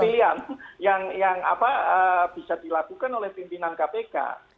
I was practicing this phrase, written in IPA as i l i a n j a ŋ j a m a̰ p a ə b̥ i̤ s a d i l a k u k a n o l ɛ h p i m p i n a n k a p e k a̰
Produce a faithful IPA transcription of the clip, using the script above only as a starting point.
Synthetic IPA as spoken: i l i a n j a ŋ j a ŋ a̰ p a ə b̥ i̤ s a d i l a k u k a n o l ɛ h p i m p i n a n k a p e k a̰